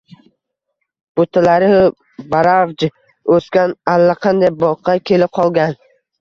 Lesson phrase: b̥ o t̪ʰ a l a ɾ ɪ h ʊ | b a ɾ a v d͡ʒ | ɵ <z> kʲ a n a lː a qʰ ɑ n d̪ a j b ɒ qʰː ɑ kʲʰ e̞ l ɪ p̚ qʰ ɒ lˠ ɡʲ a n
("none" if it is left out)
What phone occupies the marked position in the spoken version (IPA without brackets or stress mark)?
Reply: s